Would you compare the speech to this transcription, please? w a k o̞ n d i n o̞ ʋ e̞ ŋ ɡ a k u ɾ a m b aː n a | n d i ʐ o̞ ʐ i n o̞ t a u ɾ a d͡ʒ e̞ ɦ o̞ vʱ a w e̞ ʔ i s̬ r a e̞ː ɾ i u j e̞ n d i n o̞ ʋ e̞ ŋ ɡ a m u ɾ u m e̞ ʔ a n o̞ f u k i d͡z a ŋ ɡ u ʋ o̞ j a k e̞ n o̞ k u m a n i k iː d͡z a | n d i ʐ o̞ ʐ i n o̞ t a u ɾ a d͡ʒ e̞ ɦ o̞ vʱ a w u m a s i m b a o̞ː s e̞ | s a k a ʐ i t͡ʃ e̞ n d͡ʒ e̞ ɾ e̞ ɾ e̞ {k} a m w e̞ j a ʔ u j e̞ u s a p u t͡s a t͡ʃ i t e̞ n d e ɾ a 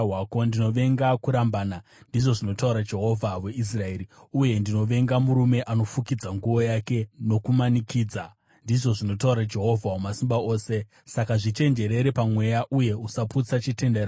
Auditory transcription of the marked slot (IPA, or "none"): p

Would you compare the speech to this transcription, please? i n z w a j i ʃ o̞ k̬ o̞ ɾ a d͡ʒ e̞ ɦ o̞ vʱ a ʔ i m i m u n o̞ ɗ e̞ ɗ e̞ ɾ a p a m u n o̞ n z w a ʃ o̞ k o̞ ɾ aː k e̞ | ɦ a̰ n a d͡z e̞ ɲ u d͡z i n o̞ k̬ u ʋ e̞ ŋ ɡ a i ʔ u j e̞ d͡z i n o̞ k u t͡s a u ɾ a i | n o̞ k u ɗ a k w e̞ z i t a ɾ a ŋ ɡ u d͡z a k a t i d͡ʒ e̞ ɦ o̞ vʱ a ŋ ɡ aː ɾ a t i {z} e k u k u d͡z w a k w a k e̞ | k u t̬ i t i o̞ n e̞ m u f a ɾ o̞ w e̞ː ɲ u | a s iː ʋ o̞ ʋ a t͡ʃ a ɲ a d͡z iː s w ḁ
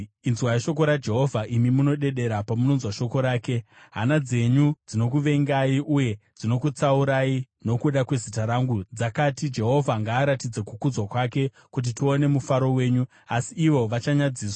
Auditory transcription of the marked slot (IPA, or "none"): d͡z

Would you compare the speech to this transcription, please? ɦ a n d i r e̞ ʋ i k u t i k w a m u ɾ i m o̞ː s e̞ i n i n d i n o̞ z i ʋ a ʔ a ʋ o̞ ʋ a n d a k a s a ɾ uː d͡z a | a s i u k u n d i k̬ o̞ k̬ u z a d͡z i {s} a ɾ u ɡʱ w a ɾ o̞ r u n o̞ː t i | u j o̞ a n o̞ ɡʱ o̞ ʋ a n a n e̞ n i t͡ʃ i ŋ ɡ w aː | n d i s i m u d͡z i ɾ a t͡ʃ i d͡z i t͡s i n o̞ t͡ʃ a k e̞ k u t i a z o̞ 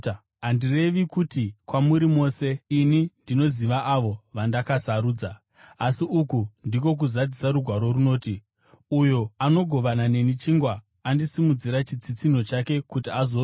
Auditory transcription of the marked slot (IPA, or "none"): s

